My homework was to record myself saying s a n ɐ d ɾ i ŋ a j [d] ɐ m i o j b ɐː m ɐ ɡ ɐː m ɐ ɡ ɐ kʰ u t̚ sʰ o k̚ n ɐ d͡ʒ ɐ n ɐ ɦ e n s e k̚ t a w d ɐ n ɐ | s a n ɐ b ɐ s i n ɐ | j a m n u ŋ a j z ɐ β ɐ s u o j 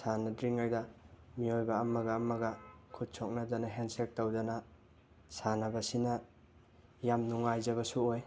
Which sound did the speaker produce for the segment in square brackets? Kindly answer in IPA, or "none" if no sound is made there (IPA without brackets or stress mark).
d